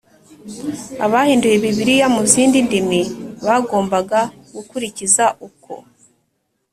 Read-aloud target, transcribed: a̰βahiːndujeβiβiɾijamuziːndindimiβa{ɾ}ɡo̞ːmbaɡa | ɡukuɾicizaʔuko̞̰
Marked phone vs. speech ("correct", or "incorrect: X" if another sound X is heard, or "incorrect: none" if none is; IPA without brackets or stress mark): incorrect: none